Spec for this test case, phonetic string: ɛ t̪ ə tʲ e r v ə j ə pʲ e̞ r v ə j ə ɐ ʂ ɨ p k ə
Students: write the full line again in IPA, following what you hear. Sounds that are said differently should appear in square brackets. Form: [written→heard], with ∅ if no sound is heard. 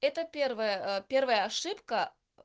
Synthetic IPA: ɛ t̪ ə [tʲ→pʲ] e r v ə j ə pʲ e̞ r v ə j ə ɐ ʂ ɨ p k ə